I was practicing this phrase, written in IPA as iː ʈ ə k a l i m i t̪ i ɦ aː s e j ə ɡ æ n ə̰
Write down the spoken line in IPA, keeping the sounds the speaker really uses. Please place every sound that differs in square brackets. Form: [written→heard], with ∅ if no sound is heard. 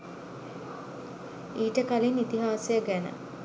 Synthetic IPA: iː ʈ ə k a l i [m→n] i t̪ i ɦ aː s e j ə ɡ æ n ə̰